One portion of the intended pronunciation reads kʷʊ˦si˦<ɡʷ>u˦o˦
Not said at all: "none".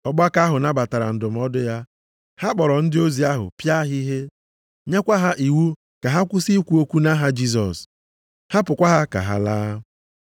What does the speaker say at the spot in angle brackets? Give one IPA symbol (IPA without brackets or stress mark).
kʷ